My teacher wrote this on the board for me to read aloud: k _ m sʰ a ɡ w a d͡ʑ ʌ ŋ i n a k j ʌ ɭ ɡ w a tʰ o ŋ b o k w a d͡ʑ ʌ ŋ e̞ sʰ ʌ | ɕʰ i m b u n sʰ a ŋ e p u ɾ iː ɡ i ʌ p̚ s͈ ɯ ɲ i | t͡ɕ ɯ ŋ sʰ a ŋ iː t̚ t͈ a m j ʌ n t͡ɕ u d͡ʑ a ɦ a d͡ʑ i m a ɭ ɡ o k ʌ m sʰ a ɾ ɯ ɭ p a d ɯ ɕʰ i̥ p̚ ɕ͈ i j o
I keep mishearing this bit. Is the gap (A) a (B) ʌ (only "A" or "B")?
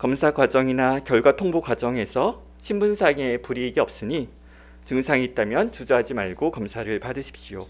B